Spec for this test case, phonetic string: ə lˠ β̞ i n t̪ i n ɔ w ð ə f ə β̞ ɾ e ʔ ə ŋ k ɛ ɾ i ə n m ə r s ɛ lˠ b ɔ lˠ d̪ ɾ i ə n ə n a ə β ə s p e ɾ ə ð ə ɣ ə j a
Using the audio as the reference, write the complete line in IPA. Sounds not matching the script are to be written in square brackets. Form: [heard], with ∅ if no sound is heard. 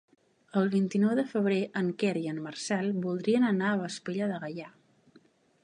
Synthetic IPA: ə lˠ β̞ i n t̪ i n ɔ w ð ə f ə β̞ ɾ e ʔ ə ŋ k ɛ ɾ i ə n m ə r s ɛ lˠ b [u] lˠ d̪ ɾ i ə n ə n a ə β ə s p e [ʎ] ə ð ə ɣ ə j a